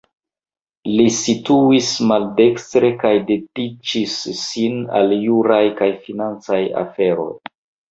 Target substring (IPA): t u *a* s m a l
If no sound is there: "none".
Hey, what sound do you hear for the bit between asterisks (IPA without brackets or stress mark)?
i